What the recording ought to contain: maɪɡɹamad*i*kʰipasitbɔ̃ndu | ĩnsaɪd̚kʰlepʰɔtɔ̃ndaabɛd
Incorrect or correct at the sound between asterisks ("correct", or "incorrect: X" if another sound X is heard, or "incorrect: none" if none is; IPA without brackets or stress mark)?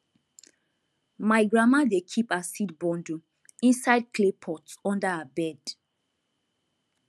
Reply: incorrect: e